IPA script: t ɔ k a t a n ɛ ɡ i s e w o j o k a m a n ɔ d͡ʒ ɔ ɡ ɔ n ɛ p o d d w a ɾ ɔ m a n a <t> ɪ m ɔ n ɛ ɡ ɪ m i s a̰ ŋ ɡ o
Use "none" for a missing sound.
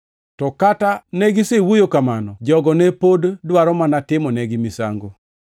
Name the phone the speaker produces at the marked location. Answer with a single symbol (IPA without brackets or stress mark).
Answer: t